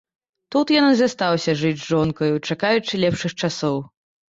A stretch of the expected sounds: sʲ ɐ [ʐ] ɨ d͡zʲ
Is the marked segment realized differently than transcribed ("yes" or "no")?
no